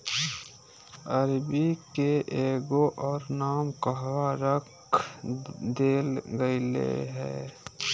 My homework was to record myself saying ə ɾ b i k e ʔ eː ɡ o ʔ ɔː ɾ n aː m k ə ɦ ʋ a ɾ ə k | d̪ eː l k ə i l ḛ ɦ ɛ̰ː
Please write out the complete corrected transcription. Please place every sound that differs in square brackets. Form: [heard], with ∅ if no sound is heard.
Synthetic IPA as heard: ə ɾ b i k e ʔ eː ɡ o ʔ ɔː ɾ n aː m k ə ɦ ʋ a ɾ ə k | d̪ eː l [ɡ] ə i l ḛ ɦ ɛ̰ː